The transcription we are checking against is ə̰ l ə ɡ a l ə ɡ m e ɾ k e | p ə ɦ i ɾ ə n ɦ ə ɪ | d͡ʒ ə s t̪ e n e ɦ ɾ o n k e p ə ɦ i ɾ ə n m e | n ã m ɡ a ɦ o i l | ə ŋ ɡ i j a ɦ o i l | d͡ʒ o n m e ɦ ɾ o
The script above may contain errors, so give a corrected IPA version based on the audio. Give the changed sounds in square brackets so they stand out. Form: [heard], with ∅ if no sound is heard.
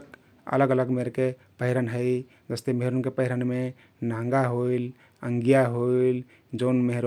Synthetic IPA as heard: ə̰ l ə ɡ [ə] l ə ɡ m e ɾ k e | p ə ɦ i ɾ ə n ɦ ə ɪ | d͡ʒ ə s t̪ e [m] e ɦ ɾ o n k e p ə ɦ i ɾ ə n m e | n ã [ŋ] ɡ a ɦ o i l | ə ŋ ɡ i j a ɦ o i l | d͡ʒ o n m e ɦ ɾ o